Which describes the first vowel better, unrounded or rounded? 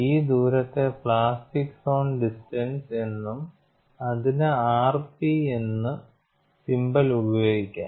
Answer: unrounded